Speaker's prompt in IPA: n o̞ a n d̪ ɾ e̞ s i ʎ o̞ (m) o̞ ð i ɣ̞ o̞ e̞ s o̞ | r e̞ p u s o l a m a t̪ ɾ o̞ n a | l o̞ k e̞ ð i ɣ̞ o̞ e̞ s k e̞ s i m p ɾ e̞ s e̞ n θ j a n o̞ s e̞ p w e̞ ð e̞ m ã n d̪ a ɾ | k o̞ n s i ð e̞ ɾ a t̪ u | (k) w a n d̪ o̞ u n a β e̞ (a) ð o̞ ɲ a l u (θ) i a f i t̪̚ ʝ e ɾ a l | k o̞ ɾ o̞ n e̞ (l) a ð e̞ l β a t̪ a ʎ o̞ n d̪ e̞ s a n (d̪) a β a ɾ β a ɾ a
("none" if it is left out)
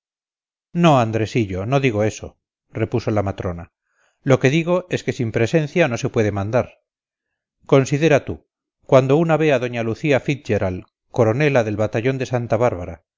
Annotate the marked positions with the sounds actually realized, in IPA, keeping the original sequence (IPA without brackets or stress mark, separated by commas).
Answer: n, k, a, θ, l, t̪